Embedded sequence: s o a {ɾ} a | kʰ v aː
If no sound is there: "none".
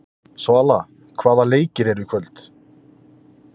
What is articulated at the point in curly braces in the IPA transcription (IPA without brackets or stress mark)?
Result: l